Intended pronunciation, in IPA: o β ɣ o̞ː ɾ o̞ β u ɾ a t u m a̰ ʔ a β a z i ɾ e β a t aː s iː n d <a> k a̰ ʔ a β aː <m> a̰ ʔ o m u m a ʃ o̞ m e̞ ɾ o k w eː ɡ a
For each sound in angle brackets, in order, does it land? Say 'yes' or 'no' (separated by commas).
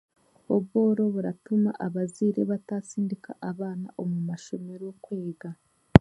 no, no